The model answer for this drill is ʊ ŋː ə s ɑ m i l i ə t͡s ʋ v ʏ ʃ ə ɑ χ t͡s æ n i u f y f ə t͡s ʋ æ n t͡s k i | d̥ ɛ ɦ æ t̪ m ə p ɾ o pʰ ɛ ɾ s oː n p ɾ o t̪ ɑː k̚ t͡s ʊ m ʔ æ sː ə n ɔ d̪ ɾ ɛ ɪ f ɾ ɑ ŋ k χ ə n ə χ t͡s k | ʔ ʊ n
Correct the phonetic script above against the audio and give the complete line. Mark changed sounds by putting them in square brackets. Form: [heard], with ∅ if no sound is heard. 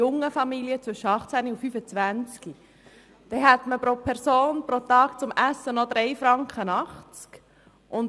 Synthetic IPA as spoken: ʊ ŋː ə [f] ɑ m i l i ə t͡s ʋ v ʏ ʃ ə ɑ χ t͡s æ n i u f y f ə t͡s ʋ æ n t͡s k i | d̥ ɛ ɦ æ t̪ m ə p ɾ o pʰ ɛ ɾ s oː n p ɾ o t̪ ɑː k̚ t͡s ʊ m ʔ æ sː ə n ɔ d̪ ɾ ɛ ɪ f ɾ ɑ ŋ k χ ə n [ɑ] χ t͡s k | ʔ ʊ n